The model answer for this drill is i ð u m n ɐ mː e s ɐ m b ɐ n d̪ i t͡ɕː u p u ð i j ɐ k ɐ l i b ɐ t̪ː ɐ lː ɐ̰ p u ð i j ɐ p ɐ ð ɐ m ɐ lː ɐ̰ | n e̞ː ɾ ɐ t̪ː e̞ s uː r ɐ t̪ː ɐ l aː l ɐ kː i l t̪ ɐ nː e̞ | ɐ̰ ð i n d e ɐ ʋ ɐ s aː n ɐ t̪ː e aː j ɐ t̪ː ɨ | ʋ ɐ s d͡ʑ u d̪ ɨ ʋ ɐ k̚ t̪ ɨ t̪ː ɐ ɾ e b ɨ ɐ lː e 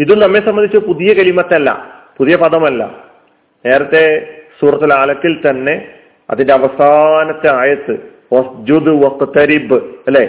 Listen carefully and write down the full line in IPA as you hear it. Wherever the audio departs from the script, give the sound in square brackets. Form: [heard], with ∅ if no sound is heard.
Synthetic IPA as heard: i ð u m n ɐ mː e s ɐ m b ɐ n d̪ i t͡ɕː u p u ð i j ɐ k ɐ l i [m] ɐ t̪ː ɐ lː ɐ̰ p u ð i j ɐ p ɐ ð ɐ m ɐ lː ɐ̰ | n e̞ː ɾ ɐ t̪ː e̞ s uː r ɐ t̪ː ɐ l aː l ɐ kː i l t̪ ɐ nː e̞ | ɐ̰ ð i n d e ɐ ʋ ɐ s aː n ɐ t̪ː e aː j ɐ t̪ː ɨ | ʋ ɐ s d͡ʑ u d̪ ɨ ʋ ɐ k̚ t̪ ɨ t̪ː ɐ ɾ [i] b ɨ ɐ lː e